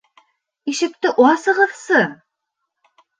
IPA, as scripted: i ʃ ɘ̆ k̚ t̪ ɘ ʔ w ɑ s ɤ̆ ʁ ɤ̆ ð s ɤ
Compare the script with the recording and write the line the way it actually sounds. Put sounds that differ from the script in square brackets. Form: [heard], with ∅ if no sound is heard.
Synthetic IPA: i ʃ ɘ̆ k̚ t̪ ɘ ʔ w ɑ s ɤ̆ ʁ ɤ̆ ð s ɤ

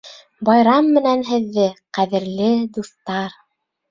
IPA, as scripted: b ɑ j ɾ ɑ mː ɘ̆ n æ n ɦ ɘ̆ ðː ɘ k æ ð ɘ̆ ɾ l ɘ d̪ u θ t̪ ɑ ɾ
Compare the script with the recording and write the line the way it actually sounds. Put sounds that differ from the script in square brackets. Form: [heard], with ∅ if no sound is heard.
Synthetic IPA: b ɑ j ɾ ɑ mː ɘ̆ n æ n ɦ ɘ̆ ðː ɘ [q] æ ð ɘ̆ ɾ l ɘ d̪ u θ t̪ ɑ ɾ

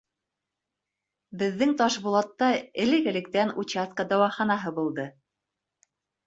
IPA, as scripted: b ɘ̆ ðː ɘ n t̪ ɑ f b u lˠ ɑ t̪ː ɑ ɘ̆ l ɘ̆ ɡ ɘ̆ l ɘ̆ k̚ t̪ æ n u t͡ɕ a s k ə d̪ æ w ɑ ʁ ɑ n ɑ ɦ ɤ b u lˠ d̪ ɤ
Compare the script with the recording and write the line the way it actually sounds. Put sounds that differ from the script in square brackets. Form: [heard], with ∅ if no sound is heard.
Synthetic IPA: b ɘ̆ ðː ɘ [ŋ] t̪ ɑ [ʃ] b u lˠ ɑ t̪ː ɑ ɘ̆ l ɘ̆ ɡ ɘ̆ l ɘ̆ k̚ t̪ æ n u t͡ɕ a s k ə d̪ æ w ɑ [χ] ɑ n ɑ ɦ ɤ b u lˠ d̪ ɤ

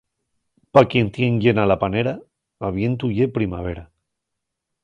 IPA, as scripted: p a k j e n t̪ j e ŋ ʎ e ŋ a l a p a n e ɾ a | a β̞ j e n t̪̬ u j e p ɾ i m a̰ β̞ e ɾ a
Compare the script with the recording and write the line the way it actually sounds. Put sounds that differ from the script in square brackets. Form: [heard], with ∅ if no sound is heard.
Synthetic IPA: p a k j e n t̪ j e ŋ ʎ e [n] a l a p a n e ɾ a | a β̞ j e n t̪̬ u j e p ɾ i m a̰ β̞ e ɾ a

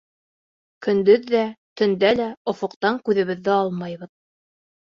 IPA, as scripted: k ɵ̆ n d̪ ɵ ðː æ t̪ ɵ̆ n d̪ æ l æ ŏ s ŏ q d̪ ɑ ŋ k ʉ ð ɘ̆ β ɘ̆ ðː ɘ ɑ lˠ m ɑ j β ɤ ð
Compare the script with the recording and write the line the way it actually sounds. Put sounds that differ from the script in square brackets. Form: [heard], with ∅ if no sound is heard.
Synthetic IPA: k ɵ̆ n d̪ ɵ ðː æ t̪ ɵ̆ n d̪ æ l æ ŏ [f] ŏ q [t̪] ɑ ŋ k ʉ ð ɘ̆ β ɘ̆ ðː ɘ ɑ lˠ m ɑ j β ɤ ð

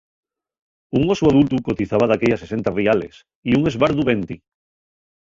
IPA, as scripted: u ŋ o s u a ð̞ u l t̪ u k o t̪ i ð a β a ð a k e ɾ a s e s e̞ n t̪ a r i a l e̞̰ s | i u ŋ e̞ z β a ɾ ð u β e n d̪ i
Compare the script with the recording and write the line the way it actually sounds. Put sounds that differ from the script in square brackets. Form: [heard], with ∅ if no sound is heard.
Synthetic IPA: u ŋ o s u a ð̞ u l t̪ u k o t̪ i [θ] a β a ð a k e [ʎ] a s e s e̞ n t̪ a r i a l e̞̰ s | i u ŋ e̞ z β a ɾ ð u β e n [t̪] i

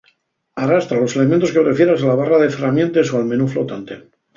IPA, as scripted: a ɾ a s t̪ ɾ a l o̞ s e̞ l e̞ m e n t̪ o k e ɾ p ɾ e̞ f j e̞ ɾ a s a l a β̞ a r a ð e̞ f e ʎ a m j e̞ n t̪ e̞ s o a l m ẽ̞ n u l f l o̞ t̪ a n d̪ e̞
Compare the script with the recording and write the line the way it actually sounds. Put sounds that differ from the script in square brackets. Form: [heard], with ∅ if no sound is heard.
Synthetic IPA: a [r] a s t̪ ɾ a l o̞ s e̞ l e̞ m e n t̪ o k e [∅] p ɾ e̞ f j e̞ ɾ a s a l a β̞ a r a ð e̞ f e [r] a m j e̞ n t̪ e̞ s o a l m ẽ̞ n u [∅] f l o̞ t̪ a n [t̪] e̞

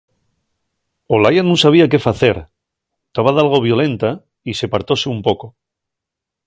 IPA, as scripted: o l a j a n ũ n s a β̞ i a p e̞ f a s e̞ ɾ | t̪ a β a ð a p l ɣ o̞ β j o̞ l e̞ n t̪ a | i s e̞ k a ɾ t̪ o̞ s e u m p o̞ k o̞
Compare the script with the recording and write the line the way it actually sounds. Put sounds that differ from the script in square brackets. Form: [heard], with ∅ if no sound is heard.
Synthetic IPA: o l a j a n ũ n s a β̞ i a [k] e̞ f a [θ] e̞ ɾ | t̪ a β a ð a [∅] l ɣ o̞ β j o̞ l e̞ n t̪ a | i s e̞ [p] a ɾ t̪ o̞ s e u m p o̞ k o̞

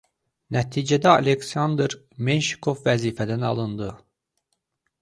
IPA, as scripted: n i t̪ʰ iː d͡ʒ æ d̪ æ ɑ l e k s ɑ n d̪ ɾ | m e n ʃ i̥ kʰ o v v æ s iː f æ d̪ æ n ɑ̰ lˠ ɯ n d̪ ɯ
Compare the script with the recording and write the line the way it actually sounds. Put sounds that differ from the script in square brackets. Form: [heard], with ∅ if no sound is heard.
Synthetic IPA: n [æ] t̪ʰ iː d͡ʒ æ d̪ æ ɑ l e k s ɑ n d̪ ɾ | m e n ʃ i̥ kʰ o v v æ [z] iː f æ d̪ æ n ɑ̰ lˠ ɯ n d̪ ɯ

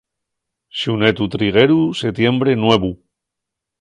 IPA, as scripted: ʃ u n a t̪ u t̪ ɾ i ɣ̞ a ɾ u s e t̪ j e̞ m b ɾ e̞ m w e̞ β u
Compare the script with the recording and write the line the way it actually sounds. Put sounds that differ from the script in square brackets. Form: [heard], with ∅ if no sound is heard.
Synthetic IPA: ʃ u n [e] t̪ u t̪ ɾ i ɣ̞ [e] ɾ u s e t̪ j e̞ m b ɾ e̞ [n] w e̞ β u

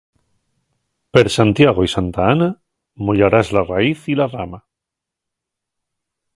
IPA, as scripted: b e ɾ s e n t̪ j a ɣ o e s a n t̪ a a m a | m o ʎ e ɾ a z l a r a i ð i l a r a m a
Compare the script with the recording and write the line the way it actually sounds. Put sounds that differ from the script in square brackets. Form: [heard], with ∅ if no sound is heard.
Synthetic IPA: [p] e ɾ s [a] n t̪ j a ɣ o [i] s a n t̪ a a [n] a | m o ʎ [a] ɾ a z l a r a i [θ] i l a r a m a

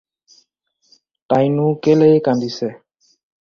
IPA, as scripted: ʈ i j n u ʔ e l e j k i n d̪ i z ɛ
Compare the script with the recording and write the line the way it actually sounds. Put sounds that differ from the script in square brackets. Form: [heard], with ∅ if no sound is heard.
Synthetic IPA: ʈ [a] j n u [k] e l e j k [a] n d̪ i [s] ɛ

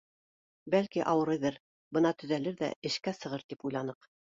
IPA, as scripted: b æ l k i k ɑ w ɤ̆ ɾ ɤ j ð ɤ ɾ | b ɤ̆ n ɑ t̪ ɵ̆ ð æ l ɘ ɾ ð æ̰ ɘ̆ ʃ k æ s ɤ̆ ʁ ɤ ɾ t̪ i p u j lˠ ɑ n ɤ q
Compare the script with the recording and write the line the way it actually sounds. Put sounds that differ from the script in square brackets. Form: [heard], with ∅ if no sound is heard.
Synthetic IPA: b æ l k i [ʔ] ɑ w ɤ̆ ɾ ɤ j ð ɤ ɾ | b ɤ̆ n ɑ t̪ ɵ̆ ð æ l ɘ ɾ ð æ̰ ɘ̆ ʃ k æ s ɤ̆ ʁ ɤ ɾ t̪ i p u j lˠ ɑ n ɤ q

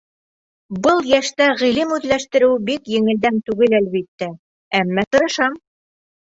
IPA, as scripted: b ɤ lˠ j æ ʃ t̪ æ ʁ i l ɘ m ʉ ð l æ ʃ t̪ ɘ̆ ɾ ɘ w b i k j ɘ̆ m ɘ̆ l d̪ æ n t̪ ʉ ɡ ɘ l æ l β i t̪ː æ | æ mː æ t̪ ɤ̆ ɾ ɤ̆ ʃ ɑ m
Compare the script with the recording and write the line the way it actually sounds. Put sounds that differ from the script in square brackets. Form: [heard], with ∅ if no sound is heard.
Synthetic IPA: b ɤ lˠ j æ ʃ t̪ æ ʁ i l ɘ m ʉ ð l æ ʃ t̪ ɘ̆ ɾ ɘ w b i k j ɘ̆ [ŋ] ɘ̆ l d̪ æ n t̪ ʉ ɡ ɘ l æ l β i t̪ː æ | æ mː æ t̪ ɤ̆ ɾ ɤ̆ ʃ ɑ m

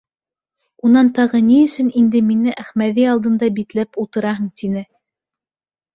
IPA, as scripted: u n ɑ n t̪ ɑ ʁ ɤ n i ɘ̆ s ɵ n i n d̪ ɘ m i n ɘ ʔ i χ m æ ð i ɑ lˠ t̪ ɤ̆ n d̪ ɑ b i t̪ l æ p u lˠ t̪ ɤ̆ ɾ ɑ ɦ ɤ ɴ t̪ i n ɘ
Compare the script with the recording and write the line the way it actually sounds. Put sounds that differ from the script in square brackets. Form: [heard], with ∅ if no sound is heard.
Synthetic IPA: u n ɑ n t̪ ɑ ʁ ɤ n i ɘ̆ s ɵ n i n d̪ ɘ m i n ɘ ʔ [æ] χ m æ ð i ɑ lˠ [d̪] ɤ̆ n d̪ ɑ b i t̪ l æ p u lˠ t̪ ɤ̆ ɾ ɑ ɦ ɤ ɴ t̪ i n ɘ

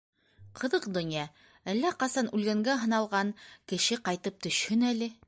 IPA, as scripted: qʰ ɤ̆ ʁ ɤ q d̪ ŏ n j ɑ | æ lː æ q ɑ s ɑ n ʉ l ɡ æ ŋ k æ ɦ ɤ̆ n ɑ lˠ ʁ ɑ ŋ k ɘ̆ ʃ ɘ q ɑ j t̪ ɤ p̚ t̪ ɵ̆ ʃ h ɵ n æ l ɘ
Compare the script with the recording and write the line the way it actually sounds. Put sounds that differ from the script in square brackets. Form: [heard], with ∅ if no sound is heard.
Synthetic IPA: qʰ ɤ̆ [ð] ɤ q d̪ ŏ n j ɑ | æ lː æ q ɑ s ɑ n ʉ l ɡ æ ŋ [ɡ] æ ɦ ɤ̆ n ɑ lˠ ʁ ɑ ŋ k ɘ̆ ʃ ɘ q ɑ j t̪ ɤ p̚ t̪ ɵ̆ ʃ h ɵ n æ l ɘ

